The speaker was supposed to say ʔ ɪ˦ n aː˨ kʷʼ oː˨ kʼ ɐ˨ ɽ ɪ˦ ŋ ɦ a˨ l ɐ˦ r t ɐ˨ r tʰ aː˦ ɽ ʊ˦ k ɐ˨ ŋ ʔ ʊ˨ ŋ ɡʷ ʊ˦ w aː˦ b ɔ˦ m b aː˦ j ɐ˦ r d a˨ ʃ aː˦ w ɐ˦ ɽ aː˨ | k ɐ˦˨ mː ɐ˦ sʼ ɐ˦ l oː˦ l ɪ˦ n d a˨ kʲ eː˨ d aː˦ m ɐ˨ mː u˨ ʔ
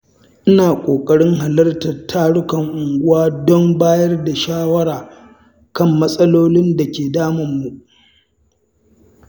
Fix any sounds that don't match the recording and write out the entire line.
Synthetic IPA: ʔ ɪ˦ n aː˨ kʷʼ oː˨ kʼ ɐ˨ ɽ ɪ˦ ŋ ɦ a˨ l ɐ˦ r t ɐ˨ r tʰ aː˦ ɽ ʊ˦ k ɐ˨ ŋ ʔ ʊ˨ ŋ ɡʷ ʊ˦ w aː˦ d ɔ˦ m b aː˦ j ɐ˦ r d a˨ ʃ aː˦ w ɐ˦ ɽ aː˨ | k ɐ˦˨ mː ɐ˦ sʼ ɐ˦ l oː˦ l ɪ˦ n d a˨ kʲ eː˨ d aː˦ m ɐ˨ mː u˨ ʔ

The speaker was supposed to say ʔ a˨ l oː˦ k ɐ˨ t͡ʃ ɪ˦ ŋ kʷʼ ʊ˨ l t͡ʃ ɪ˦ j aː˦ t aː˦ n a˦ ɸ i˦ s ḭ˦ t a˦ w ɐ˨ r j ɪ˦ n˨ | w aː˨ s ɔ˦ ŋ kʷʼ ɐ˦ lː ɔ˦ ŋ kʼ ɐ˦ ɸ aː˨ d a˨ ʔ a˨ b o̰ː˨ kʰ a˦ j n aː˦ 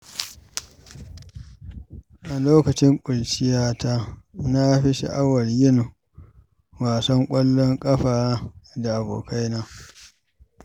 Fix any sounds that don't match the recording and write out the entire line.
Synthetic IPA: ʔ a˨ l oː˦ k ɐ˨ t͡ʃ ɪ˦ ŋ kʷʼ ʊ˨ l t͡ʃ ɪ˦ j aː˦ t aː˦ n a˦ ɸ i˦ ʃ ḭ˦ ʔ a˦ w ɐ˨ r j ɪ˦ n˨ | w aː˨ s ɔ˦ ŋ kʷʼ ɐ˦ lː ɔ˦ ŋ kʼ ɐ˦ ɸ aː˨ d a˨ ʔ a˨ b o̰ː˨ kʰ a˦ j n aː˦

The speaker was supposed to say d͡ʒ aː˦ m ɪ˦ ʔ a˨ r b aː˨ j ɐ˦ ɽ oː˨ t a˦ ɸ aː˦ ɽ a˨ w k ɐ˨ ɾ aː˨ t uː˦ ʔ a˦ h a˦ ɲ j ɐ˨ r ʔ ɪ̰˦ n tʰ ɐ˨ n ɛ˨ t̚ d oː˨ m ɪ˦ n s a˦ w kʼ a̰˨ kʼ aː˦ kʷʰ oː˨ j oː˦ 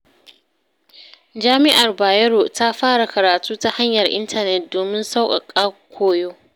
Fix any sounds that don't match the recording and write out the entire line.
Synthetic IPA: d͡ʒ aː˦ m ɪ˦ ʔ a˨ r b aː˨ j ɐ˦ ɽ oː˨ t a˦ ɸ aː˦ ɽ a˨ k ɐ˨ ɾ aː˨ t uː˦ t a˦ h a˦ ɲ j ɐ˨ r ʔ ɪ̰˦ n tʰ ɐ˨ n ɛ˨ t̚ d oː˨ m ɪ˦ n s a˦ w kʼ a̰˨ kʼ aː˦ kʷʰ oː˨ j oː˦

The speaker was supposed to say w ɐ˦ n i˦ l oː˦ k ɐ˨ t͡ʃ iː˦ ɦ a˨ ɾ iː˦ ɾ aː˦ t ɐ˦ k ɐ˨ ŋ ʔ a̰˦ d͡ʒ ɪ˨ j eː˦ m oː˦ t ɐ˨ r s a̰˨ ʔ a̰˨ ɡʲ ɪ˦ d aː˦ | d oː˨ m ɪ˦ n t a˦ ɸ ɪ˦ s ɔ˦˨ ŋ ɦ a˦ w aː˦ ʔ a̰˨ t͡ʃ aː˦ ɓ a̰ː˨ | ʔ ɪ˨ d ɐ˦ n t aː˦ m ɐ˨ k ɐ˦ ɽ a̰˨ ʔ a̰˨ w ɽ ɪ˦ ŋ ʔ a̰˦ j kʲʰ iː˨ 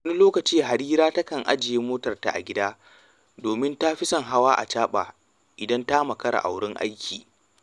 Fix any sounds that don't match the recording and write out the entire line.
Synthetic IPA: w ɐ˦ n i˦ l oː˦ k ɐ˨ t͡ʃ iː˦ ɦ a˨ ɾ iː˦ ɾ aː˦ t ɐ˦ k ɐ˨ ŋ ʔ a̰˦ d͡ʒ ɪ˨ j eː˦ m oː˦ t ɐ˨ r t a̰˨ ʔ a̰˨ ɡʲ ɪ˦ d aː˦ | d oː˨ m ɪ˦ n t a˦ ɸ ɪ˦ s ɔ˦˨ ŋ ɦ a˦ w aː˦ ʔ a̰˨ t͡ʃ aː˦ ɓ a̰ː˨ | ʔ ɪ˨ d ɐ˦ n t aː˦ m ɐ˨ k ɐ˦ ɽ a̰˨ ʔ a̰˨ w ɽ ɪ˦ ŋ ʔ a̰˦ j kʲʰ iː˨

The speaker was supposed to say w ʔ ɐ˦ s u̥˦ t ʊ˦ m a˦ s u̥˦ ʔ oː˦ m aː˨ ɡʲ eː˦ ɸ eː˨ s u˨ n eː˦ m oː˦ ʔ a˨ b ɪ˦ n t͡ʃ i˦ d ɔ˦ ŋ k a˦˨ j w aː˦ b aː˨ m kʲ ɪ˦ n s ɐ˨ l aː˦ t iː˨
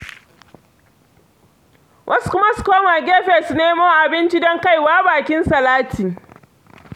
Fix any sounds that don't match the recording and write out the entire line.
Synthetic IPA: w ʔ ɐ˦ s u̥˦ k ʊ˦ m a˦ s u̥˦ k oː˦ m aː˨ ɡʲ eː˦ ɸ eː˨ s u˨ n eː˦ m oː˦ ʔ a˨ b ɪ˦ n t͡ʃ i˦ d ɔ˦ ŋ k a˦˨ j w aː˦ b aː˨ kʲ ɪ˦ n s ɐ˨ l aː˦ t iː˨

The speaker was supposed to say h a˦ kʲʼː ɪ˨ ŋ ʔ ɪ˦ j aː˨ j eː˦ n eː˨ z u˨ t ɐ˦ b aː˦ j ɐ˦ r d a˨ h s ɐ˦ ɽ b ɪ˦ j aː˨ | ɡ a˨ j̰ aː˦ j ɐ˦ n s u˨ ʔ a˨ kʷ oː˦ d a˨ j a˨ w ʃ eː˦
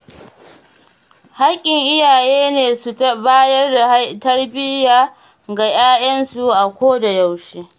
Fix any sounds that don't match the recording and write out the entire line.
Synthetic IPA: h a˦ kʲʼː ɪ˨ ŋ ʔ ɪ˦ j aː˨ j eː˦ n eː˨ s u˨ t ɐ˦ b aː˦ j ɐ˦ r d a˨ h t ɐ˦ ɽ b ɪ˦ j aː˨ | ɡ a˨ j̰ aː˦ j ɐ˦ n s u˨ ʔ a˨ kʷ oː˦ d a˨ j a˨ w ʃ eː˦

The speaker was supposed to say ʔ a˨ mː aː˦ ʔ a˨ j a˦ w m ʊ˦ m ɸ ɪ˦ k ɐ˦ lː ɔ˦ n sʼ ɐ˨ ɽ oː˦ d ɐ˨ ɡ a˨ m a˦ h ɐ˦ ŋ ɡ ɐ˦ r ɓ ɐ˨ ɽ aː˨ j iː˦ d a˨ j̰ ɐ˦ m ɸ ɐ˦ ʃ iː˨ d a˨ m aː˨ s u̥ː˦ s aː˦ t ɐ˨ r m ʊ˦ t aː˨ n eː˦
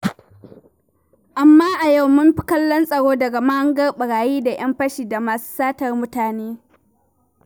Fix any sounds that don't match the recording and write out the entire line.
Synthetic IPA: ʔ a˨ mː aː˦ ʔ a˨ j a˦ w m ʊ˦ m ɸ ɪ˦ k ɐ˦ lː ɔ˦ n sʼ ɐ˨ ɽ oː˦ d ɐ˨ ɡ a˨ m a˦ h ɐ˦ ŋ ɡ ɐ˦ r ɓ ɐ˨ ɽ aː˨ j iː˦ d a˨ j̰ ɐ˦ m ɸ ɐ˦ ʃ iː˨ d a˨ m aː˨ s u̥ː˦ s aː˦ t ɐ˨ r m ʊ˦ t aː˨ n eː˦

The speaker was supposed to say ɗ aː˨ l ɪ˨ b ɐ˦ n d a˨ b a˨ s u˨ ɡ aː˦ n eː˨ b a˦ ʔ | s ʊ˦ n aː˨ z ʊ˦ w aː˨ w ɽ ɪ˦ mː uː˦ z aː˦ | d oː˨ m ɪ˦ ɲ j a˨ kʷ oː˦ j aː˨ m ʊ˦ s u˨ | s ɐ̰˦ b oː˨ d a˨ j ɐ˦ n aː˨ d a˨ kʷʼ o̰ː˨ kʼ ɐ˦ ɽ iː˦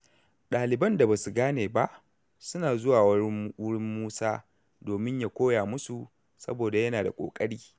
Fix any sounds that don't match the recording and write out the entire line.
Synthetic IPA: ɗ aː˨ l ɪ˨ b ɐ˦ n d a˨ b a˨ s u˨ ɡ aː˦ n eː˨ b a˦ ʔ | s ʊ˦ n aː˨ z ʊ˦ w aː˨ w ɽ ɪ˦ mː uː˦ s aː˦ | d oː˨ m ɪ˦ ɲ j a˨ kʷ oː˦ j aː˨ m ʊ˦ s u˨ | s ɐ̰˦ b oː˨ d a˨ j ɐ˦ n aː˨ d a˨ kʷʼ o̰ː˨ kʼ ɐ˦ ɽ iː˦

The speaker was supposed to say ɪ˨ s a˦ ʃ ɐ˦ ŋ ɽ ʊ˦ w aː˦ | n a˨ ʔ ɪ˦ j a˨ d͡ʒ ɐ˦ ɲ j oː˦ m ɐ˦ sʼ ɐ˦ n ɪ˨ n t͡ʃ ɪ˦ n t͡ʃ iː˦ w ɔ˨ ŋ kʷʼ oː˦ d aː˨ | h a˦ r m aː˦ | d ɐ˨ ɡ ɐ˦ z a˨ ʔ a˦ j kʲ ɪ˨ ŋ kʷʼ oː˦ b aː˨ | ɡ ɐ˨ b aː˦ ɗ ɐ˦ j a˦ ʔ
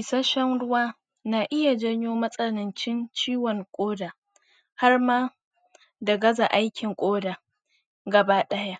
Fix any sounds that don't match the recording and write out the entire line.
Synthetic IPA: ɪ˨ s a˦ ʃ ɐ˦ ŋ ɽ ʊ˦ w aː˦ | n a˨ ʔ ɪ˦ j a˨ d͡ʒ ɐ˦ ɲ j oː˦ m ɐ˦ sʼ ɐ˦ n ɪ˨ n t͡ʃ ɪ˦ n t͡ʃ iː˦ w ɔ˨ ŋ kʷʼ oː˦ d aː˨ | h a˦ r m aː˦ | d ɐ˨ ɡ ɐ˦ z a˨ ʔ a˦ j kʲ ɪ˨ ŋ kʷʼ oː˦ d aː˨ | ɡ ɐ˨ b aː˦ ɗ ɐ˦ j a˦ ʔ

